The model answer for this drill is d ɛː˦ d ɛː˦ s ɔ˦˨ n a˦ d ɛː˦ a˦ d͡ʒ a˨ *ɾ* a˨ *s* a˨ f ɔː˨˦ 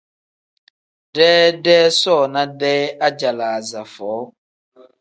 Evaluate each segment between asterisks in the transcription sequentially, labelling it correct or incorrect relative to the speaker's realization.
incorrect: l, incorrect: z

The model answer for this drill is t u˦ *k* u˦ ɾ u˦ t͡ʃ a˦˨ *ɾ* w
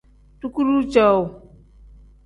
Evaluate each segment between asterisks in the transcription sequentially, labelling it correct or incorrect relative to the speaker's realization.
correct, incorrect: none

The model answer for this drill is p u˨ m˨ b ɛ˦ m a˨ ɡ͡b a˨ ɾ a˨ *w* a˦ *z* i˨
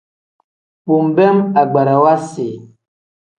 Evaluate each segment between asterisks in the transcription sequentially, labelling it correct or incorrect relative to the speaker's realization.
correct, incorrect: s

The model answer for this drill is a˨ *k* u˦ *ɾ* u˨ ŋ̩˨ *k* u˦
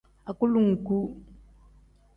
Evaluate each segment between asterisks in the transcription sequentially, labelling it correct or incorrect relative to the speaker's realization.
correct, incorrect: l, correct

